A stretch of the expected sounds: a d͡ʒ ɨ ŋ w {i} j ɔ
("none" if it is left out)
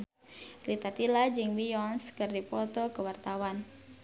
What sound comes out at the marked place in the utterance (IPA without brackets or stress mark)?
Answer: i